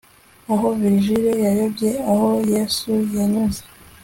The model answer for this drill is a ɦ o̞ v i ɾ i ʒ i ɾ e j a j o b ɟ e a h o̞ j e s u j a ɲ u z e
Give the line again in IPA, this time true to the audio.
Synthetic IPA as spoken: a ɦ o̞ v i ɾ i ʒ i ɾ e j a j o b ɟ e a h o̞ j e s u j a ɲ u z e